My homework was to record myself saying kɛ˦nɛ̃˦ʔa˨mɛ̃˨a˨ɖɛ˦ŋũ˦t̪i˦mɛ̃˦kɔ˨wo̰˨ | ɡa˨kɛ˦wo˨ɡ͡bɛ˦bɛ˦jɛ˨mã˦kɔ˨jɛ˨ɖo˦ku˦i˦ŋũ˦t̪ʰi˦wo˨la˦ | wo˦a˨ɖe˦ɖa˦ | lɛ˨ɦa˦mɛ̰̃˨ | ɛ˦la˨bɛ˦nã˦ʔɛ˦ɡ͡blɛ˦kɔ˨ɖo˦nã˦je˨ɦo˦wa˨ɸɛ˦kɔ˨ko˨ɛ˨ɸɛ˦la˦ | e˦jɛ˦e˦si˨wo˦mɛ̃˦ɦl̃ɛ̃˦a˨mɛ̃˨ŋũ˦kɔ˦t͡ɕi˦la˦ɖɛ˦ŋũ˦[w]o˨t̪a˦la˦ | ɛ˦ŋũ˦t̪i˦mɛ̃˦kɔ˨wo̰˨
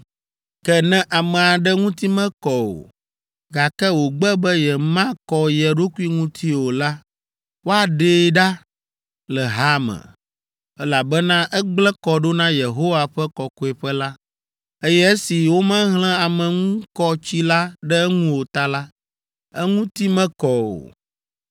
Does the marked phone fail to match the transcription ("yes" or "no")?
no